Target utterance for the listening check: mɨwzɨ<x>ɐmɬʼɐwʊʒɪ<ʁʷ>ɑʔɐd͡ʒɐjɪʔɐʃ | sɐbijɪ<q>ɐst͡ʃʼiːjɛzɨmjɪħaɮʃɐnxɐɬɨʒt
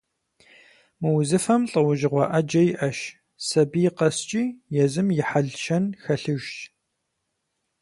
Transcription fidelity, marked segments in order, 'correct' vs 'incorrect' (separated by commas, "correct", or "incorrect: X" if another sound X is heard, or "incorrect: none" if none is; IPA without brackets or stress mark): incorrect: f, correct, correct